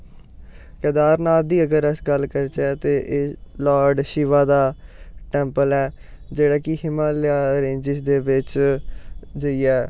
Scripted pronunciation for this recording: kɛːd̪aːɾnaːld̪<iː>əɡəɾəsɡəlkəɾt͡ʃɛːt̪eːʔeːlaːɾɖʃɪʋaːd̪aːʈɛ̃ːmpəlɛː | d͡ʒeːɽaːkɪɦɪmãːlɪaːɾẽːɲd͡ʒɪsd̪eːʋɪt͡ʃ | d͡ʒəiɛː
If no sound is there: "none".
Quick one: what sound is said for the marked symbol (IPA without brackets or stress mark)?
iː